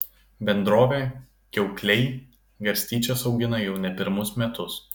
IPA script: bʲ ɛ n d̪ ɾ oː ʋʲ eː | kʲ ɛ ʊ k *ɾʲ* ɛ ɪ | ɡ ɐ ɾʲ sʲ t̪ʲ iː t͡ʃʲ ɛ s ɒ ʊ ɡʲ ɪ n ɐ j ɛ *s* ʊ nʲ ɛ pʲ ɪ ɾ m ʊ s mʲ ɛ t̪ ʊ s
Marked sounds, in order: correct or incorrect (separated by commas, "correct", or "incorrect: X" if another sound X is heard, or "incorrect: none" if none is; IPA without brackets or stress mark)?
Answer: incorrect: lʲ, incorrect: none